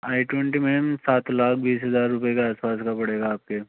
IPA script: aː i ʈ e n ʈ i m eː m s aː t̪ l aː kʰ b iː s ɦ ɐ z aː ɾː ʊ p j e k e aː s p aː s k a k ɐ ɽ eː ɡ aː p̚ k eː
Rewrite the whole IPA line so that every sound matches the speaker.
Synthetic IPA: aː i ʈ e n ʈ i m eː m s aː t̪ l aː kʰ b iː s ɦ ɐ z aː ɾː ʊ p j e k e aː s p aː s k a p ɐ ɽ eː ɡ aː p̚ k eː